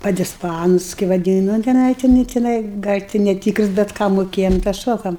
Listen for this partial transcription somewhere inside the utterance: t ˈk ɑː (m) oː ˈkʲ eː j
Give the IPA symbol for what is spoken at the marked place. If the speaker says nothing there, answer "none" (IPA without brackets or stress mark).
m